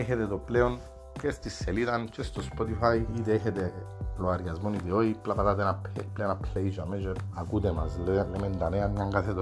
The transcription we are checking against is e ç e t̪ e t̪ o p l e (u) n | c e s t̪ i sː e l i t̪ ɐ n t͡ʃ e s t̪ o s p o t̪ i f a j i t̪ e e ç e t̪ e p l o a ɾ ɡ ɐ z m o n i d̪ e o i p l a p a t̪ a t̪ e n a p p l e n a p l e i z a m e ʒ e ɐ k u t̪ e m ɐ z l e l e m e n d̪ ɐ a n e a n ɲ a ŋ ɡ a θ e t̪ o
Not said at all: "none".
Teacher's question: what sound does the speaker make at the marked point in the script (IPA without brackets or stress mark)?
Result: o